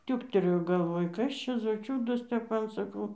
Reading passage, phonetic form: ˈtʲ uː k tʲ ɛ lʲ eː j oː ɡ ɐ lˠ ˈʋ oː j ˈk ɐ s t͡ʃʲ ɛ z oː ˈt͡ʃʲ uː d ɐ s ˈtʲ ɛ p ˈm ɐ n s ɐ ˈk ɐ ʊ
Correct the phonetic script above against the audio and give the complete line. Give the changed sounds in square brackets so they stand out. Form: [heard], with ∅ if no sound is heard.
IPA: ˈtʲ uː k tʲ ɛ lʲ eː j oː ɡ ɐ lˠ ˈʋ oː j ˈk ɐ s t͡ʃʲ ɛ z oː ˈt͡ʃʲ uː d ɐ s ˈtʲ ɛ p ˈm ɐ n s ɐ ˈk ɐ ʊ